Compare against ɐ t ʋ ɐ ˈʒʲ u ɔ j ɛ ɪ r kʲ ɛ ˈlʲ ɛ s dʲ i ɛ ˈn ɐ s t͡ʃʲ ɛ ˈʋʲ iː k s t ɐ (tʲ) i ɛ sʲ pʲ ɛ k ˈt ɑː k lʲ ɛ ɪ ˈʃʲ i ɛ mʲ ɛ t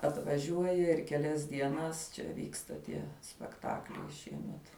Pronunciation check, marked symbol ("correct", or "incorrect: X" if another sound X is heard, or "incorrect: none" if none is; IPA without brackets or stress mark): correct